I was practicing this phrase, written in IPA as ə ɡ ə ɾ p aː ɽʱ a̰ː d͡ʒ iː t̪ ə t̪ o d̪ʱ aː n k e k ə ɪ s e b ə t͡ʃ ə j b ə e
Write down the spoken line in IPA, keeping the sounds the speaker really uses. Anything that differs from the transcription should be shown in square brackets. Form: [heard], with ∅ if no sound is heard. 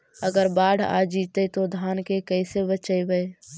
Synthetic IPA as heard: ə ɡ ə ɾ [b] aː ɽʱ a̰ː d͡ʒ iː t̪ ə t̪ o d̪ʱ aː n k e k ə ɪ s e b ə t͡ʃ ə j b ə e